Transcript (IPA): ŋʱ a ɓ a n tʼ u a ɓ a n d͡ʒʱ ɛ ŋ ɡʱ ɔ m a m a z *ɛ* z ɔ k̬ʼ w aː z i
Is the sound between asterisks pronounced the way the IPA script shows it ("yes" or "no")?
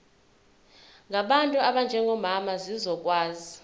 no